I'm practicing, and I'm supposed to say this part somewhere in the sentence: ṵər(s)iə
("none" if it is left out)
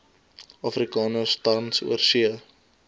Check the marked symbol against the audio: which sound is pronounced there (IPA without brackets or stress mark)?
s